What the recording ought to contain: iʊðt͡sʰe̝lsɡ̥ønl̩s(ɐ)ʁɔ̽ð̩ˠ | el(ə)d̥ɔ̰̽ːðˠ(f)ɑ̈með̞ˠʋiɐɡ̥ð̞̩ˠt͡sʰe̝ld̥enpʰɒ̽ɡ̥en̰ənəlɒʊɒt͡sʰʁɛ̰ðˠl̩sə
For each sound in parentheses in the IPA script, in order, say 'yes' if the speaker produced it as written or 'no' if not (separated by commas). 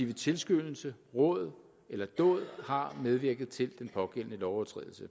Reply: no, no, no